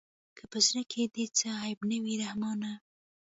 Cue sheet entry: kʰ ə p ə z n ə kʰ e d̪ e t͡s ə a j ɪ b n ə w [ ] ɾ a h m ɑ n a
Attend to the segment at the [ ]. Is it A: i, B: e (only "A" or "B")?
A